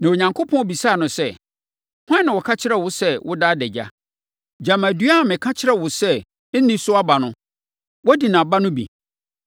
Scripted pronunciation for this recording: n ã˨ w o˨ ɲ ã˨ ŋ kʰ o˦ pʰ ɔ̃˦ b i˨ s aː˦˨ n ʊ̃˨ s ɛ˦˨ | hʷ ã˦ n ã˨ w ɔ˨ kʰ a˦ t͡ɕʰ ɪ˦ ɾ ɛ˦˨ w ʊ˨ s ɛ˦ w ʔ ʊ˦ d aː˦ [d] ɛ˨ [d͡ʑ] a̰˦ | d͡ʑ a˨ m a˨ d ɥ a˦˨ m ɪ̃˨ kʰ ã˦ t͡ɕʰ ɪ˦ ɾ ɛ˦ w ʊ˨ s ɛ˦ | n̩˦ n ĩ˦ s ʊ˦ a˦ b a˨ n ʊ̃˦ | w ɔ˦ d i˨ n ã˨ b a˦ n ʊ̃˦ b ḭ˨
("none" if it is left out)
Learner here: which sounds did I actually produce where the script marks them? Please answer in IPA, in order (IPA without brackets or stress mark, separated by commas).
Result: d, d͡ʑ